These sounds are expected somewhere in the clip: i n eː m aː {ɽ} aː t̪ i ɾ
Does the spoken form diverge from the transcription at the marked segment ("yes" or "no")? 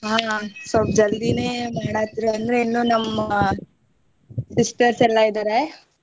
no